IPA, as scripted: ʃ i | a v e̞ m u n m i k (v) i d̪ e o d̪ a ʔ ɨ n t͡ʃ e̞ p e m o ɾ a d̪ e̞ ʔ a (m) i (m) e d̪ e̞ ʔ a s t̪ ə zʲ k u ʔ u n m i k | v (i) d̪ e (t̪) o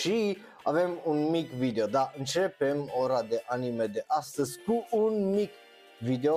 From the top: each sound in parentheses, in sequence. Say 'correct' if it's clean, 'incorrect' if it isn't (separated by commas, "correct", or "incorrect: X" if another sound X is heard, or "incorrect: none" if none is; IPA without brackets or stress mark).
correct, incorrect: n, correct, correct, incorrect: none